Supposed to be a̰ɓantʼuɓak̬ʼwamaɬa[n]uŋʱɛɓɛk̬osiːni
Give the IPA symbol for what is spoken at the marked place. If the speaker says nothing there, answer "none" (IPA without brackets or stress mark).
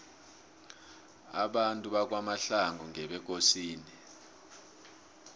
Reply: ŋ